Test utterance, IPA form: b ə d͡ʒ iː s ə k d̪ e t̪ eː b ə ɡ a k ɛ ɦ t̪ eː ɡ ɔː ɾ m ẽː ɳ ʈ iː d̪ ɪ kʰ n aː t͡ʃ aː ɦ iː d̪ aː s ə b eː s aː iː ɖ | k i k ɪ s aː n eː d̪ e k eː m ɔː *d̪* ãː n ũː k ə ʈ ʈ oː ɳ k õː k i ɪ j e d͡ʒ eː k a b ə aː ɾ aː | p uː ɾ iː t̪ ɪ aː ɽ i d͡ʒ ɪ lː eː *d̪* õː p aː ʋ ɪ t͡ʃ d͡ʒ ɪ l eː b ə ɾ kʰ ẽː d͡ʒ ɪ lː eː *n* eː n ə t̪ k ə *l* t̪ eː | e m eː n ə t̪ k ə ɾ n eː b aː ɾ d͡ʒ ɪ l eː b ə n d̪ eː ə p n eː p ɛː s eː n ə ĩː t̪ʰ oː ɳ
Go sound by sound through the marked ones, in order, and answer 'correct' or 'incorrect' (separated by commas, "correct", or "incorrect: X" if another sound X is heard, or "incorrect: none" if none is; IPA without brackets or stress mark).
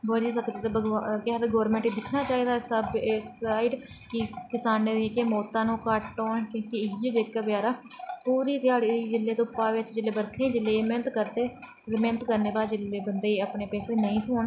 incorrect: t̪, incorrect: t̪, incorrect: m, incorrect: ɾ